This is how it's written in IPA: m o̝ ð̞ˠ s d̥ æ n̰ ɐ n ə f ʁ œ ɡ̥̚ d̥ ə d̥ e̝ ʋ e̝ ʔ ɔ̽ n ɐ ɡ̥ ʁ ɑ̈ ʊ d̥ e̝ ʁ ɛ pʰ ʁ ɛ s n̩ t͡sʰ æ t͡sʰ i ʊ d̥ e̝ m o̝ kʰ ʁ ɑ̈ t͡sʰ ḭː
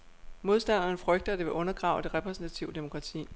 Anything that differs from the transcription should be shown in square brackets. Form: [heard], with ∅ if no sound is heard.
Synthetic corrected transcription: m o̝ ð̞ˠ s d̥ æ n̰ ɐ n ə f ʁ œ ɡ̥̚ d̥ [ɐ] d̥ e̝ ʋ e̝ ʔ ɔ̽ n ɐ ɡ̥ ʁ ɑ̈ ʊ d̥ e̝ ʁ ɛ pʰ ʁ ɛ s n̩ t͡sʰ æ t͡sʰ i ʊ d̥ e̝ m o̝ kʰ ʁ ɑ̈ t͡sʰ ḭː